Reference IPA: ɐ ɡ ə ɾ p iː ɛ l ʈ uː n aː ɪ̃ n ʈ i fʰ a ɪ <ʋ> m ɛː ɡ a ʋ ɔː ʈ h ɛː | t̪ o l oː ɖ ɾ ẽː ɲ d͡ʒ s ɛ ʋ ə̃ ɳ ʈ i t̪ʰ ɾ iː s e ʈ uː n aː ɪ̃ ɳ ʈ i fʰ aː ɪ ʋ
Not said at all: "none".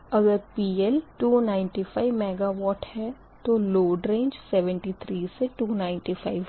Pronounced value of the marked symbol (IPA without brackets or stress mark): ʋ